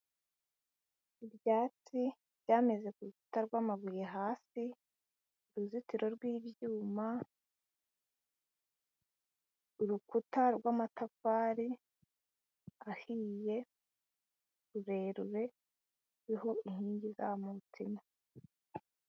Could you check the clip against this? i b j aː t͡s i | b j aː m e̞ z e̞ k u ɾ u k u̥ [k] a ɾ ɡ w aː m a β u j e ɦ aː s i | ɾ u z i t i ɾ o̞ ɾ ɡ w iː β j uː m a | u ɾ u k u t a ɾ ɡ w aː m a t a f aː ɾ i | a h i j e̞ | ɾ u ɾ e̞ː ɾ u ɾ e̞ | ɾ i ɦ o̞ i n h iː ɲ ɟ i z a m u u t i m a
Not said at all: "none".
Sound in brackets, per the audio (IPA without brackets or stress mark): t